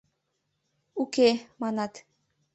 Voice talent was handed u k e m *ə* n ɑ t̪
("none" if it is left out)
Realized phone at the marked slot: ɑ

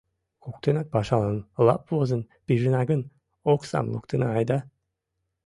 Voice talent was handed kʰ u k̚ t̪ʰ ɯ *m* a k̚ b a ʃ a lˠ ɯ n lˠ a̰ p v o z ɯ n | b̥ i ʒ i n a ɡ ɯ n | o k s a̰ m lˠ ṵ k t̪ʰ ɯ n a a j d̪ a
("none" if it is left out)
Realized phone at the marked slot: n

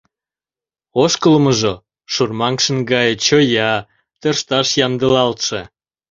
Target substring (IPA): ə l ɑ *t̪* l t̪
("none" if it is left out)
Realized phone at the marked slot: none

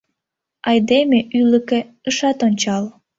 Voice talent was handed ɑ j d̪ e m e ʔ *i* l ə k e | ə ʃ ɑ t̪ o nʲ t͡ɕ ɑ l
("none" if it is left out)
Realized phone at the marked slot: y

